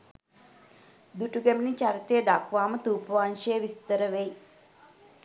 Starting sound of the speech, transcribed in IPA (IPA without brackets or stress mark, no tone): d̪